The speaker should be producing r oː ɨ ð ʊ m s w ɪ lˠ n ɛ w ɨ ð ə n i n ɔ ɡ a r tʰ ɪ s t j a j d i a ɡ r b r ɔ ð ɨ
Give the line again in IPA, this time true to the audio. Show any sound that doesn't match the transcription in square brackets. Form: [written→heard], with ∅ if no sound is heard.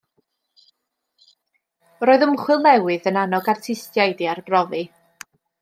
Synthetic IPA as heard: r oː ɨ ð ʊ m [s→χ] w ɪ lˠ n ɛ w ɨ ð ə n [i→a] n ɔ ɡ a r tʰ ɪ s t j a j d i a [ɡ→∅] r b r ɔ [ð→v] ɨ

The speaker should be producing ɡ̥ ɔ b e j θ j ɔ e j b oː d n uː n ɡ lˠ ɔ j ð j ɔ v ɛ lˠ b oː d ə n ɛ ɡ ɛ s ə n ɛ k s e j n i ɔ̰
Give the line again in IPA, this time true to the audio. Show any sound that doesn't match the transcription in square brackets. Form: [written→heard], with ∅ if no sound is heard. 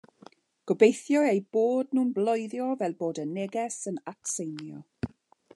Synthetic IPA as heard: ɡ̥ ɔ b e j θ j ɔ e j b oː d n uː n [ɡ→b] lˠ ɔ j ð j ɔ v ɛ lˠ b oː d ə n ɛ ɡ ɛ s ə n [ɛ→a] k s e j n [i→j] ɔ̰

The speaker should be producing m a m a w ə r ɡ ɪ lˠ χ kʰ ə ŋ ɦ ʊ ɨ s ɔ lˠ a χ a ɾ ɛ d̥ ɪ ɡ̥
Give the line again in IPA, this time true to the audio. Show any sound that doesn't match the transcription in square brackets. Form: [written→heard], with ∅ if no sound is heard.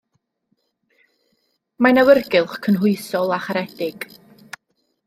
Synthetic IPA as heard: m a [m→n] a w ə r ɡ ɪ lˠ χ kʰ ə [ŋ→n] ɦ ʊ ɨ s ɔ lˠ a χ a ɾ ɛ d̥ ɪ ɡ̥

